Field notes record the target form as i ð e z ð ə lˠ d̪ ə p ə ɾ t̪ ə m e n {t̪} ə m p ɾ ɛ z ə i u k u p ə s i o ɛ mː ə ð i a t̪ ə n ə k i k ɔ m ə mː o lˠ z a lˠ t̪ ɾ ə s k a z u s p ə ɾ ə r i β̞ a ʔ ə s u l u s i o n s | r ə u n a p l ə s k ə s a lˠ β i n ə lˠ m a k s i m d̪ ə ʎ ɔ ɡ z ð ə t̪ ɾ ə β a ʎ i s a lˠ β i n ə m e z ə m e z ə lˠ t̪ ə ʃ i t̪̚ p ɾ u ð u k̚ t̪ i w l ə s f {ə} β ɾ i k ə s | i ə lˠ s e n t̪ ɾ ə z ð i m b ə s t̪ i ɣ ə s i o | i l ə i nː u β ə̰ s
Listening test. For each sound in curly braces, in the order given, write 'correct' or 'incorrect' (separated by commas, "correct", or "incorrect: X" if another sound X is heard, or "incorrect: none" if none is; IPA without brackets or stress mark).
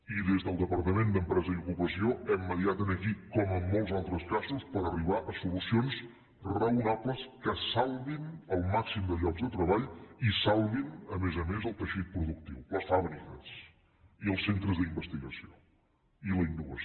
incorrect: d̪, incorrect: a